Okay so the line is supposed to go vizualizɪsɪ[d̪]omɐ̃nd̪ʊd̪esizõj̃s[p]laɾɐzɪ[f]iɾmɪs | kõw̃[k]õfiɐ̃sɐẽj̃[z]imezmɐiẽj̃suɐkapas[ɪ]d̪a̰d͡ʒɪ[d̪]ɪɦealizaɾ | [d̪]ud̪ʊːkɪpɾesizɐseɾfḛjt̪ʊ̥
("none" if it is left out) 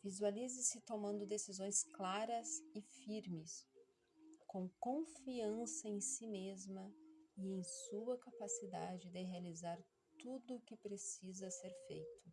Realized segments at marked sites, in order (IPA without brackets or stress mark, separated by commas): t̪, k, f, k, s, i, d̪, t̪